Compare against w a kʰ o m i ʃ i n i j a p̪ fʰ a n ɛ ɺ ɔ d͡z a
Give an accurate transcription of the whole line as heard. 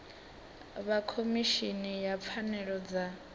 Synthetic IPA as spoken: β a kʰ o m i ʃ i n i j a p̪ fʰ a n ɛ ɺ ɔ d͡z a

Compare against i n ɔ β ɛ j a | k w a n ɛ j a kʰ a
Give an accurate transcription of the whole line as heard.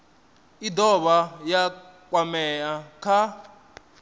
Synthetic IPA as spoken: i d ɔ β a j a | k w a m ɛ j a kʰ a

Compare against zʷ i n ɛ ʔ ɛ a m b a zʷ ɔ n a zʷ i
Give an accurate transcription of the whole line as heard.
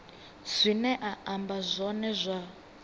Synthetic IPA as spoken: zʷ i n ɛ ʔ a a m b a zʷ ɔ n ɛ zʷ a

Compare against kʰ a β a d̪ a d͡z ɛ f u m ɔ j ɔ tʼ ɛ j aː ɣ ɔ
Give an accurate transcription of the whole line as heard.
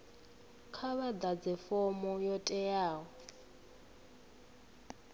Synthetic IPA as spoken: kʰ a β a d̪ a d͡z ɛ f ɔ m ɔ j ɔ tʼ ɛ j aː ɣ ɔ

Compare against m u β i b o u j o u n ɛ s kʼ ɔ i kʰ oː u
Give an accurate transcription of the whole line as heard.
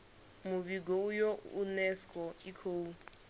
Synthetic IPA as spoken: m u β i ɡ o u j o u n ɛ s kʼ ɔ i kʰ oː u

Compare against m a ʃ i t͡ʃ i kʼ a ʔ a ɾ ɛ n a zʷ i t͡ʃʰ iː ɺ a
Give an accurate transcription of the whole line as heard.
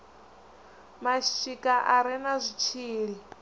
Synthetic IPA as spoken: m a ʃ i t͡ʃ i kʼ a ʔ a ɾ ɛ n a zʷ i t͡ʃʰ iː ɺ i

